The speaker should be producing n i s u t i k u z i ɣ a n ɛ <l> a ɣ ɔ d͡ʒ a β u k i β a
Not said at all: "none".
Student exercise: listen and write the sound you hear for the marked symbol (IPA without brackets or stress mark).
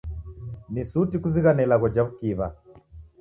l